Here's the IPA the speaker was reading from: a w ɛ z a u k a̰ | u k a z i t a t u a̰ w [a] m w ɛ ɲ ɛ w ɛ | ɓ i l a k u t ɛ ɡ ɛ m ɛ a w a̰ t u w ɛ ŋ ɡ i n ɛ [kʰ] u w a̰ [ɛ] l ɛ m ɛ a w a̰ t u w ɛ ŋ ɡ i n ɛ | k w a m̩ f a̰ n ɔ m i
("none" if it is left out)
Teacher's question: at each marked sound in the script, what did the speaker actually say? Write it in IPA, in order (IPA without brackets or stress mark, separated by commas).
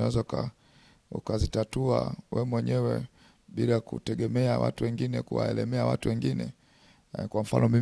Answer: ɛ, k, ɛ